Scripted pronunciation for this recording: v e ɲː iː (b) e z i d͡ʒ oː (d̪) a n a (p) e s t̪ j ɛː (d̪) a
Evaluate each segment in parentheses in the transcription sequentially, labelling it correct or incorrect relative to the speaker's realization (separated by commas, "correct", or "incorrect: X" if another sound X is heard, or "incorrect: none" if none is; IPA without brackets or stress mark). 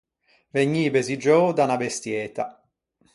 correct, correct, incorrect: b, incorrect: t̪